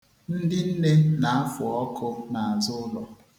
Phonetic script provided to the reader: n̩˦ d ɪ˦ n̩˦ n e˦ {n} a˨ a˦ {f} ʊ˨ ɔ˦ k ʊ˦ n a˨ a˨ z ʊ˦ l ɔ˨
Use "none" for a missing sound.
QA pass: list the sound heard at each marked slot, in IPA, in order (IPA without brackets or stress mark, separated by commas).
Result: n, f